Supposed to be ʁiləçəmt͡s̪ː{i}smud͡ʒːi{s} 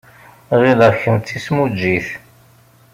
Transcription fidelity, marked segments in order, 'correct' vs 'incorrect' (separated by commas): correct, incorrect